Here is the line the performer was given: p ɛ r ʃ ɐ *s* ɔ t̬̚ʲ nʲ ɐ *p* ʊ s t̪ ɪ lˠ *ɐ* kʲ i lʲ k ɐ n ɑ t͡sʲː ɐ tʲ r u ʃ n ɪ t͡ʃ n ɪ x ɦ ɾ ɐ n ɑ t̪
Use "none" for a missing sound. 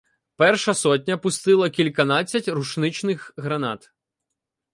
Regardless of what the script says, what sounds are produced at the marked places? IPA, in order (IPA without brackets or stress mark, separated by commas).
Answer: s, p, ɐ